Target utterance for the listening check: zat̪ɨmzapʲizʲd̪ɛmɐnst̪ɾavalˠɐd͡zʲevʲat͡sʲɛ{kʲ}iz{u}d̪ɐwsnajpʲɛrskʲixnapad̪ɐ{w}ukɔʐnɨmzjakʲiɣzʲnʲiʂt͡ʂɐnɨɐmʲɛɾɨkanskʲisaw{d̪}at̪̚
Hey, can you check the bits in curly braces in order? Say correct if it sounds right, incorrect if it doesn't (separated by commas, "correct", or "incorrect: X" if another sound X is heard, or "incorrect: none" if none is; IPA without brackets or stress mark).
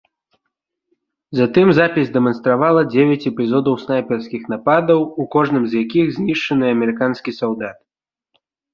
incorrect: pʲ, incorrect: ɔ, correct, correct